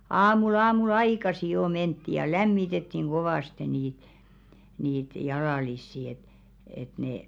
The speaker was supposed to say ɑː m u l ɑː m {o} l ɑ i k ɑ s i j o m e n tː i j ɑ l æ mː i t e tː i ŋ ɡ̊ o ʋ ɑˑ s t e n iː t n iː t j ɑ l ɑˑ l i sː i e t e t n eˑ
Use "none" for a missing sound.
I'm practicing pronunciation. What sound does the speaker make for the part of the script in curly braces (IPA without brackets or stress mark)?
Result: u